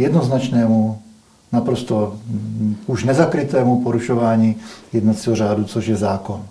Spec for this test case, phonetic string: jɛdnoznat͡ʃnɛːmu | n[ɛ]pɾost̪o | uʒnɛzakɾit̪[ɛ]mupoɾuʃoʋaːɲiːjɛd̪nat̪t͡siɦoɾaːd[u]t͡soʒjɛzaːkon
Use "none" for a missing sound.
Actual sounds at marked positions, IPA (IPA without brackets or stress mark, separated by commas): a, ɛː, u